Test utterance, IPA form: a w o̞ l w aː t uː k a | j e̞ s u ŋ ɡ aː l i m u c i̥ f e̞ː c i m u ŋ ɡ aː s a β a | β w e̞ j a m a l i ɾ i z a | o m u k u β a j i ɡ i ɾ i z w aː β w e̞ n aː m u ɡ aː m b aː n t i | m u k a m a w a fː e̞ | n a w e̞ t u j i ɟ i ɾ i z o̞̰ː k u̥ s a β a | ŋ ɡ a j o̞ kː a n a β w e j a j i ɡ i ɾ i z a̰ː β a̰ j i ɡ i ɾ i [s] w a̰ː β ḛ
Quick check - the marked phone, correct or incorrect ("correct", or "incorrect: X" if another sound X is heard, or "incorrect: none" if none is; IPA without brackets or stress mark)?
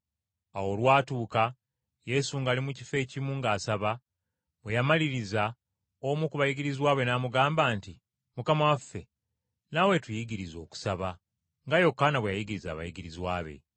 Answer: incorrect: z